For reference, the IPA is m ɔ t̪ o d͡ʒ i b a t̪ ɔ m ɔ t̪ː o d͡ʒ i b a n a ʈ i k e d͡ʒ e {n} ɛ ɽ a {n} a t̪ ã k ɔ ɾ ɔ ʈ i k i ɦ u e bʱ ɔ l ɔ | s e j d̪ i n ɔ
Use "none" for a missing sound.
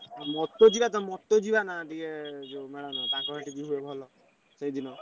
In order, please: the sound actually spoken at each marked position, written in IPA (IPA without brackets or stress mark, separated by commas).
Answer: m, n